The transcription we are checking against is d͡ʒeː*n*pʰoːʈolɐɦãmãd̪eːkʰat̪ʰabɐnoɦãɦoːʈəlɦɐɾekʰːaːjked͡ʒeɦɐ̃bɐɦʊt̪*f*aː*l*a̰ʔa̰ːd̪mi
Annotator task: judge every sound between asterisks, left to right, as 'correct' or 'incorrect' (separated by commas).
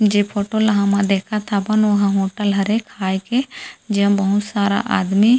incorrect, incorrect, incorrect